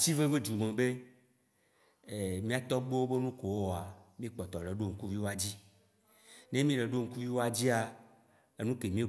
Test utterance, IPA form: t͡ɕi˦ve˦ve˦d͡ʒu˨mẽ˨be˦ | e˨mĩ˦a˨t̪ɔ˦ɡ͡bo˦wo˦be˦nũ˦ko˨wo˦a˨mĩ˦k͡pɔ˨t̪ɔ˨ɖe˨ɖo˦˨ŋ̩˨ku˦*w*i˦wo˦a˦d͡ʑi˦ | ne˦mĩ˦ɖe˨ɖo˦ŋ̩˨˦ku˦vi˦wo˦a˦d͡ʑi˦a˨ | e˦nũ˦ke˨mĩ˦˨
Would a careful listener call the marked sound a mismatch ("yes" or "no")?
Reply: yes